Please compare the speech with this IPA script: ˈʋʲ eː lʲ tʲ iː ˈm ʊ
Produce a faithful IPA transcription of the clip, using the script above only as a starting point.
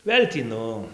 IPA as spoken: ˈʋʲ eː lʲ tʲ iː ˈn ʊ